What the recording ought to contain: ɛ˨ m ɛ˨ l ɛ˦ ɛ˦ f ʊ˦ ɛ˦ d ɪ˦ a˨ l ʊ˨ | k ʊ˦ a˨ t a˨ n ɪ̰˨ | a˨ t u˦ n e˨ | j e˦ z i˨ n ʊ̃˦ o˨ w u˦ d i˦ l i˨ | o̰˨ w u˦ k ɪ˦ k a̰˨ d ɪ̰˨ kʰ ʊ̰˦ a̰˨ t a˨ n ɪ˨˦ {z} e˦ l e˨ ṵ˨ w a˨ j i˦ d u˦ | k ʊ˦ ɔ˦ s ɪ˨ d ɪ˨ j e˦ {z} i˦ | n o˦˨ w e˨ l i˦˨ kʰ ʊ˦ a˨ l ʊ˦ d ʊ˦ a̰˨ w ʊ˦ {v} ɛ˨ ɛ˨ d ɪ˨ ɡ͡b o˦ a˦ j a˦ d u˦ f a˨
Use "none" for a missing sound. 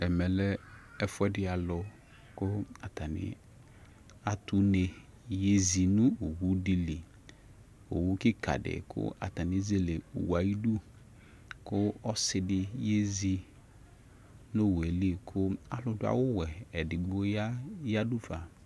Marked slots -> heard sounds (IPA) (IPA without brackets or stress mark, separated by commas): z, z, w